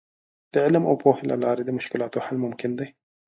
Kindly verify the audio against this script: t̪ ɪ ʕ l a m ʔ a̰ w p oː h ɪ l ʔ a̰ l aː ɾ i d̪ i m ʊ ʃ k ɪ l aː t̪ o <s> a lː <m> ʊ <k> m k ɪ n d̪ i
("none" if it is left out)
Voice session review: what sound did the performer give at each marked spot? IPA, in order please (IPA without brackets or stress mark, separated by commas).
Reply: ħ, m, none